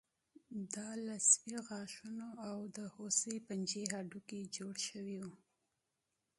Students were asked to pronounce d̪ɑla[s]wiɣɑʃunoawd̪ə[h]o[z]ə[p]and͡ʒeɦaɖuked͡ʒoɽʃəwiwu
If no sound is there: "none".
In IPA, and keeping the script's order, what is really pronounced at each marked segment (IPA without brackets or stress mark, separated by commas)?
s, h, s, p